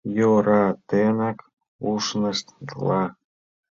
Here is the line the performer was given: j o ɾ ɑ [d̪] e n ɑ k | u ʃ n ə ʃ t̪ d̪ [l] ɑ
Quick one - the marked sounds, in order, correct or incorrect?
incorrect, correct

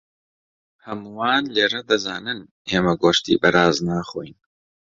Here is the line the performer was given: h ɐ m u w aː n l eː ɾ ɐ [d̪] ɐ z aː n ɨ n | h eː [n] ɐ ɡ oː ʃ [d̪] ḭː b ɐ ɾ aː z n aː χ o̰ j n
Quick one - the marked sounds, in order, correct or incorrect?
correct, incorrect, incorrect

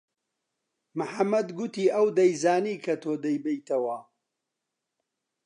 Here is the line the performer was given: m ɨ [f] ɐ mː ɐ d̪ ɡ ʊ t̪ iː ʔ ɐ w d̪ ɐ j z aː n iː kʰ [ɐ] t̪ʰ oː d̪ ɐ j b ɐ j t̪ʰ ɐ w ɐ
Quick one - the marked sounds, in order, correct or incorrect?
incorrect, correct

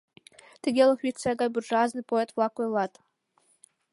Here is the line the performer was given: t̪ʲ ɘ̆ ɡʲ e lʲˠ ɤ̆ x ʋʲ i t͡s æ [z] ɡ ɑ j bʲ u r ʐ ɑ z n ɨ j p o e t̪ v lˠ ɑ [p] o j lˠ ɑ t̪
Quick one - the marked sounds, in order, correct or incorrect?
incorrect, incorrect

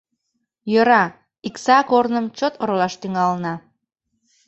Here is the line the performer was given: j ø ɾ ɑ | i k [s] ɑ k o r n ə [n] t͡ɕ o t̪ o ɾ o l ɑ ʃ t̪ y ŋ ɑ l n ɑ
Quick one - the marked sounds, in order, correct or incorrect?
correct, incorrect

